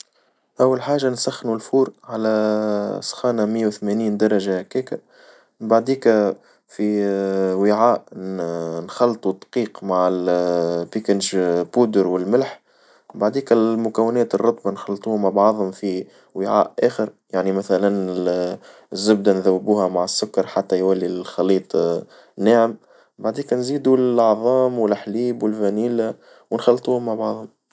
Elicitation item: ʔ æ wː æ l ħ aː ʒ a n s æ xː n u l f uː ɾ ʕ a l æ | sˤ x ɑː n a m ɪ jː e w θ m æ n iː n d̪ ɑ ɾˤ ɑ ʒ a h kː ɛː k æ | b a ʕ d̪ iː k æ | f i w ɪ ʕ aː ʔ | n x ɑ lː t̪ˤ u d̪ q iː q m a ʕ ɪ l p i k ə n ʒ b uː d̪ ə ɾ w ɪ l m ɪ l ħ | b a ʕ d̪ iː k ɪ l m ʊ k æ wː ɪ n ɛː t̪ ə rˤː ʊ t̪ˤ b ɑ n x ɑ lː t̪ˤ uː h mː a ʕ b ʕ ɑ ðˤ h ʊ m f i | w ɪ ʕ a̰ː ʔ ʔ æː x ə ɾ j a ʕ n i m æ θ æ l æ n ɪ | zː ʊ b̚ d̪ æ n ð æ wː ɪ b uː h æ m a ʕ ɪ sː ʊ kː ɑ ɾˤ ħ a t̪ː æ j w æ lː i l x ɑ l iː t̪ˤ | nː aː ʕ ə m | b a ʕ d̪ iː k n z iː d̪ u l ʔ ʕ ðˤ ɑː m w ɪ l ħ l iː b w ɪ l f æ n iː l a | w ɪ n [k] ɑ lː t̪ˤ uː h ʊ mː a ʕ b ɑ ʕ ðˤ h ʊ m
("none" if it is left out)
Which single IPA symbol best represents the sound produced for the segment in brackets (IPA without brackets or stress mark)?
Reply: x